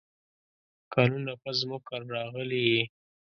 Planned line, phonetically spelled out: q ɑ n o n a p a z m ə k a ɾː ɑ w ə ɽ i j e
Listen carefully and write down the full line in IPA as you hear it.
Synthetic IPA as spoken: k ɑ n u n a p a z m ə k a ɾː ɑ ɣ ə l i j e